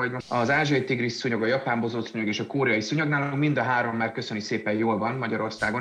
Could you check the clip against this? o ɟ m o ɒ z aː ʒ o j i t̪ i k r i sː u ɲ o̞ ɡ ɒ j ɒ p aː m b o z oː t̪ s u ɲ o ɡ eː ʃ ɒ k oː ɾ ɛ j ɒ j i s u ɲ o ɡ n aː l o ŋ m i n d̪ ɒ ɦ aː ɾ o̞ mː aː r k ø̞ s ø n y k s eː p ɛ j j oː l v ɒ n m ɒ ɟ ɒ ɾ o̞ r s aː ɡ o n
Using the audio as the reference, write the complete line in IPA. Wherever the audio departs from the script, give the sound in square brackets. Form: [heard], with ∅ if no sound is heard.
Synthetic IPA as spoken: o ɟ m o ɒ z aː ʒ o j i t̪ i [ɡ] r i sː u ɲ o̞ ɡ ɒ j ɒ p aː m b o z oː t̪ s u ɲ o ɡ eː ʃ ɒ k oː ɾ ɛ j ɒ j i s u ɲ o ɡ n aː l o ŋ m i n d̪ ɒ ɦ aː ɾ o̞ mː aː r k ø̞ s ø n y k s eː p ɛ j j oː l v ɒ n m ɒ ɟ ɒ ɾ o̞ r s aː ɡ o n